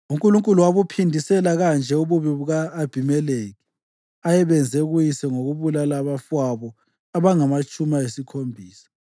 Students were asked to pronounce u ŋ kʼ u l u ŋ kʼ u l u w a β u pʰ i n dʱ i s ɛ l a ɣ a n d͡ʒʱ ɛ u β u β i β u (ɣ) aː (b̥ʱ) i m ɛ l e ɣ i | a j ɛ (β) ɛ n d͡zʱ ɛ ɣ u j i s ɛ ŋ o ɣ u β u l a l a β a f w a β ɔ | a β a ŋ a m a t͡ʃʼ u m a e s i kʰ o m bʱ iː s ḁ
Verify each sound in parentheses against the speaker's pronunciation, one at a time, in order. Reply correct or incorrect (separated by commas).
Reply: correct, correct, correct